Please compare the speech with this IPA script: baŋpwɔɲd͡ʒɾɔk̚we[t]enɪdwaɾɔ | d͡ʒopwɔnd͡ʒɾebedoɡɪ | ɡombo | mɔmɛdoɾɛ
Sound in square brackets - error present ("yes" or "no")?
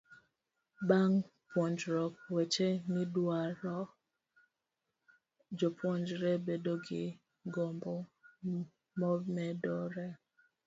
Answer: yes